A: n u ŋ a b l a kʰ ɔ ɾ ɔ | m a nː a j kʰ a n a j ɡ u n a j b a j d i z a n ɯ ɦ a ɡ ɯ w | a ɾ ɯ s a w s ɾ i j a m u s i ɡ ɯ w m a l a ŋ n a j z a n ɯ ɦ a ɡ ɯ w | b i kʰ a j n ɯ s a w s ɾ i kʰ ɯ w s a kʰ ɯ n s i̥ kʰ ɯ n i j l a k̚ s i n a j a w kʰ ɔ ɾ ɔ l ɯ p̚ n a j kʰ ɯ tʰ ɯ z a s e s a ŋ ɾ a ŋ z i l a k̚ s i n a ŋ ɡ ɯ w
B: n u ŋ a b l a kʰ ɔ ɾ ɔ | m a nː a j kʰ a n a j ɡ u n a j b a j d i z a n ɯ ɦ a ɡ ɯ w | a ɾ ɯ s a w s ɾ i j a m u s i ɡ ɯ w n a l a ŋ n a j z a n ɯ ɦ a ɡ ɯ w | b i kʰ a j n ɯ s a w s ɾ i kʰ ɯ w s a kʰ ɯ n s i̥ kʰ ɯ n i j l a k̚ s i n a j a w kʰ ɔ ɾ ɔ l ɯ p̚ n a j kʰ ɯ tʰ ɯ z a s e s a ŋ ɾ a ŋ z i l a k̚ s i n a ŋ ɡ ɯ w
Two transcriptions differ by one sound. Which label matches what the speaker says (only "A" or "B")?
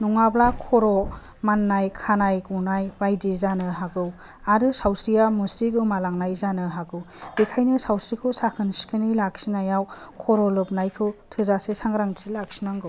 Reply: A